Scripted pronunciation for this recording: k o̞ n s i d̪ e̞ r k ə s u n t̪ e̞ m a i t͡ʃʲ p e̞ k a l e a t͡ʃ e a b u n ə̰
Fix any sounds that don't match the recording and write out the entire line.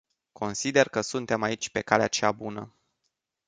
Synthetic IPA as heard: k o̞ n s i d̪ e̞ r k ə s u n t̪ e̞ m a i t͡ʃʲ p e̞ k a l e a t͡ʃ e a b u n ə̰